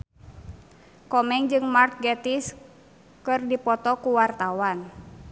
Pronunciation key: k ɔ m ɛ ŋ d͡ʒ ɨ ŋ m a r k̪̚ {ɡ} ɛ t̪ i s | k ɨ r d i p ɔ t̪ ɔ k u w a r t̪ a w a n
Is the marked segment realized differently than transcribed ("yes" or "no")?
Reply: no